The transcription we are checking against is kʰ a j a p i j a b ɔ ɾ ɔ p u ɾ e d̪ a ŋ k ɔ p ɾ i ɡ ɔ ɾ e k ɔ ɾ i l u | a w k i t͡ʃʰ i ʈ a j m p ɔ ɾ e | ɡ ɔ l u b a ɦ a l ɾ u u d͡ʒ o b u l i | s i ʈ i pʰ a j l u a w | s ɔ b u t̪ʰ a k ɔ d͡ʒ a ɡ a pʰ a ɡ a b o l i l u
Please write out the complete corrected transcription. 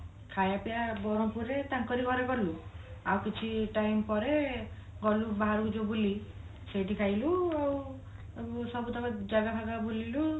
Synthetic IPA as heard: kʰ a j a p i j a b ɔ ɾ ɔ p u ɾ e t̪ a ŋ k ɔ ɾ i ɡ ɔ ɾ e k ɔ ɾ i l u | a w k i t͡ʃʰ i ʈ a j m p ɔ ɾ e | ɡ ɔ l u b a ɦ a ɾ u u d͡ʒ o b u l i | s e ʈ i kʰ a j l u a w | s ɔ b u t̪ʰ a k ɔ d͡ʒ a ɡ a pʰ a ɡ a b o l i l u